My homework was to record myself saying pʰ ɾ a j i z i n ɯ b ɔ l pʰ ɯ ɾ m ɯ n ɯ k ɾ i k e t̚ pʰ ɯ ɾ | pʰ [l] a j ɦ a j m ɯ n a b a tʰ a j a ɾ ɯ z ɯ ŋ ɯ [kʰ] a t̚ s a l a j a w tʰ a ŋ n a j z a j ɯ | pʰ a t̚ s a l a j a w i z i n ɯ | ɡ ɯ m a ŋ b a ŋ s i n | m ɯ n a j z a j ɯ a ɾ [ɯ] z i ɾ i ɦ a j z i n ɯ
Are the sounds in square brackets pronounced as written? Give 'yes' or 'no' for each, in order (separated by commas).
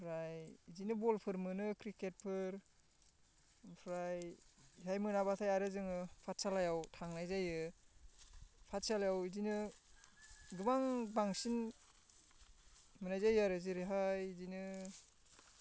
no, no, yes